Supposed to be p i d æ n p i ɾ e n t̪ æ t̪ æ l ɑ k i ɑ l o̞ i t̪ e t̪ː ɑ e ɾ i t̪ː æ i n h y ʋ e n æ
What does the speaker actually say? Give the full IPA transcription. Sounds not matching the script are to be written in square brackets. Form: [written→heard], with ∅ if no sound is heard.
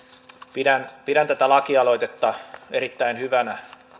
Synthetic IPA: p i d æ n p i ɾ [e→æ] n t̪ æ t̪ æ l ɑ k i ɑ l o̞ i t̪ e t̪ː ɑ e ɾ i t̪ː æ i n h y ʋ [e→æ] n æ